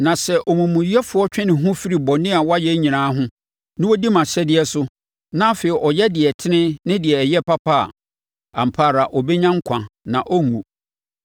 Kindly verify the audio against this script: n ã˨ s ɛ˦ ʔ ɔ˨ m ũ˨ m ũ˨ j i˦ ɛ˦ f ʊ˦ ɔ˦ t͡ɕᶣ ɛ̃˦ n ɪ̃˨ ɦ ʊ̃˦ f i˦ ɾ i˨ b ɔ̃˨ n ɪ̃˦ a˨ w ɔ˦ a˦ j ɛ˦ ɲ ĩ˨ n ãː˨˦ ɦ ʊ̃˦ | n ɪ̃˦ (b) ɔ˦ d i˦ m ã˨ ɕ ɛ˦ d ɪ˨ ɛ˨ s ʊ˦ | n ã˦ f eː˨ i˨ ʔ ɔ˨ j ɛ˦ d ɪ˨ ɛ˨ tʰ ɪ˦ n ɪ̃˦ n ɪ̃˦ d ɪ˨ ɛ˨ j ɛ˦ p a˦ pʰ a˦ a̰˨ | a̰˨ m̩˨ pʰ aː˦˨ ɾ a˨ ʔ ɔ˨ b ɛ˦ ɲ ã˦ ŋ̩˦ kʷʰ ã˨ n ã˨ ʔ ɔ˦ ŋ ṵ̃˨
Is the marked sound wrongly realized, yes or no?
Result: yes